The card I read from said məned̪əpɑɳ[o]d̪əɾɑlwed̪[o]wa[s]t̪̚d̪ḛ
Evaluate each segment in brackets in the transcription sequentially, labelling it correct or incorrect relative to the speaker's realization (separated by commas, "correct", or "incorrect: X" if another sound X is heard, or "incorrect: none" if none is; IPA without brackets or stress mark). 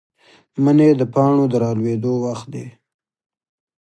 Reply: correct, correct, incorrect: x